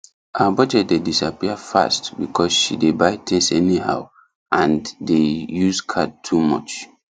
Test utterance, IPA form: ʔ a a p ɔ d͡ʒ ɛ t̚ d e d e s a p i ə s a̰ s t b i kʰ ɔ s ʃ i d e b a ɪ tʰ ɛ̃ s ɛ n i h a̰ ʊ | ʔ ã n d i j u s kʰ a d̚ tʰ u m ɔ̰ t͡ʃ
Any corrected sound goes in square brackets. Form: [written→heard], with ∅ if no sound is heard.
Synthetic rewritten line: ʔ a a [p→b] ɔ d͡ʒ ɛ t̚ d e d [e→i] s a p i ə [s→f] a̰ s t b i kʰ ɔ s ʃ i d e b a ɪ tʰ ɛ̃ s ɛ n i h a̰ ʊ | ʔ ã n d [i→e] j u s kʰ a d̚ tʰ u m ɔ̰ t͡ʃ